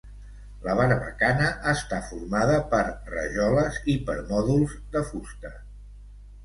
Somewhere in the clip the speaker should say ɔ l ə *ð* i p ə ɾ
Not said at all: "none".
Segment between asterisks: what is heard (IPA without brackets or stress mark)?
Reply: z